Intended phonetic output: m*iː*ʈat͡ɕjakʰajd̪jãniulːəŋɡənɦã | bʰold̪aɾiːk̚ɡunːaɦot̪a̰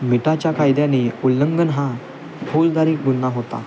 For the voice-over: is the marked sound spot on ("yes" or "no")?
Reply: no